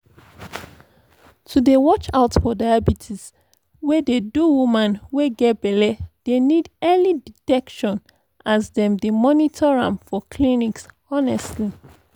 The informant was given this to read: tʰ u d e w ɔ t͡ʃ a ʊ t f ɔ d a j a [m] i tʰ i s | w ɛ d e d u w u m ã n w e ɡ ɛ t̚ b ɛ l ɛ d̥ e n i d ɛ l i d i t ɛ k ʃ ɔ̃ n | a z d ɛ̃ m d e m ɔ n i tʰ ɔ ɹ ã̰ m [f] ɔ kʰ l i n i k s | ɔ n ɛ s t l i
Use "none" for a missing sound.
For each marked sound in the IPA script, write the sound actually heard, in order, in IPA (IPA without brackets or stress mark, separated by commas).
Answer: b, f